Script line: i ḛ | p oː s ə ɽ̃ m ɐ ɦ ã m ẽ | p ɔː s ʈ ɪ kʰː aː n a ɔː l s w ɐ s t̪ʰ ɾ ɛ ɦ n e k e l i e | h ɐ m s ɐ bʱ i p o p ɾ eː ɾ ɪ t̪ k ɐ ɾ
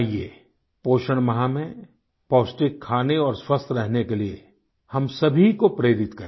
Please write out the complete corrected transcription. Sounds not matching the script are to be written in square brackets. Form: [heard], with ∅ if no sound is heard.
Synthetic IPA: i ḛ | p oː [ʃ] ə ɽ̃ m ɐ ɦ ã m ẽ | p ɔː s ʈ ɪ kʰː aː n [e] ɔː [ɾ] s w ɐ s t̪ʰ ɾ ɛ ɦ n e k e l i e | h ɐ m s ɐ bʱ i [k] o p ɾ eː ɾ ɪ t̪ k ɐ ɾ